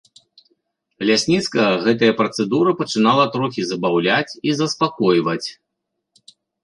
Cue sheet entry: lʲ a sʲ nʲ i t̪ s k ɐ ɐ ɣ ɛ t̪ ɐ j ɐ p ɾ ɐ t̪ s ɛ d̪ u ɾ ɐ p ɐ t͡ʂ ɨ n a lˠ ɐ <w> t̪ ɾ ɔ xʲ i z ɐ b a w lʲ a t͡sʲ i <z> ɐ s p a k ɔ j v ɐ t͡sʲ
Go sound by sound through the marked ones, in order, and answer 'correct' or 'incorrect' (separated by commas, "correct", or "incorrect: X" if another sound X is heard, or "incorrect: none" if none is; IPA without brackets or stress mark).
incorrect: none, correct